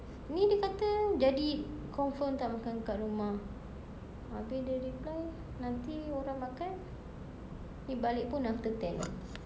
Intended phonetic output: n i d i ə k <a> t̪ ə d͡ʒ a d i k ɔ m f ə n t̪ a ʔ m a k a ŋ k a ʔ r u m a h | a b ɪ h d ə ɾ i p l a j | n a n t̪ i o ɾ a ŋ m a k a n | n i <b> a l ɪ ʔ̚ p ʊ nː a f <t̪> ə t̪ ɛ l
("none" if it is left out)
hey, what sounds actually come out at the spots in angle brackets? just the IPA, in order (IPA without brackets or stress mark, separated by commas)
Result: a, b, t̪